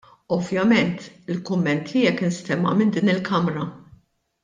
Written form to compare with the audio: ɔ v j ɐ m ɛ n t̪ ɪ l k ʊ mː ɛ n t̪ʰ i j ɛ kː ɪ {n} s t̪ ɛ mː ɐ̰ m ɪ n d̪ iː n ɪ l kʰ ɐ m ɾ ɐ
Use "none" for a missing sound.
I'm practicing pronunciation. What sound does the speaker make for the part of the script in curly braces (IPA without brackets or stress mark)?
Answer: n